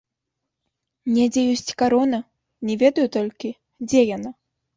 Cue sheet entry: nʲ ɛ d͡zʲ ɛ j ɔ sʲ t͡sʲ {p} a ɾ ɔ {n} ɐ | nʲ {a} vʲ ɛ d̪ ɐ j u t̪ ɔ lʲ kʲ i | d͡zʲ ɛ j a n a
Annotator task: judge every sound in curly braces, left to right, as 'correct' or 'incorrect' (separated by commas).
incorrect, correct, incorrect